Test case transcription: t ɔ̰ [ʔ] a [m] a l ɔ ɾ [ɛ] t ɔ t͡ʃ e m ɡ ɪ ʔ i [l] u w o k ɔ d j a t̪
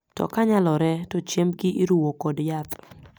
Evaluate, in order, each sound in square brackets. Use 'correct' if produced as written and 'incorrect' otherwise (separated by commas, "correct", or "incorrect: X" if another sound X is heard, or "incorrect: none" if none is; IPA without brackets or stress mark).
incorrect: k, incorrect: ɲ, correct, incorrect: ɾ